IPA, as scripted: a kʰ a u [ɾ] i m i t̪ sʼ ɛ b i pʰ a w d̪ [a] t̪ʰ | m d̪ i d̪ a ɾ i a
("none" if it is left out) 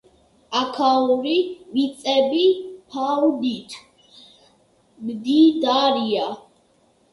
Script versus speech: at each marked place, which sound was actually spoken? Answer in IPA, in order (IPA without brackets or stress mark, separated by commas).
ɾ, i